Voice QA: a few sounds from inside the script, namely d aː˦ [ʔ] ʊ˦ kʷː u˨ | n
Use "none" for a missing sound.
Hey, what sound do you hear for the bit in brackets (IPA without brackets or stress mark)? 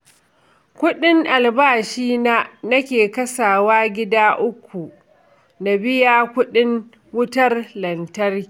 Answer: ʔ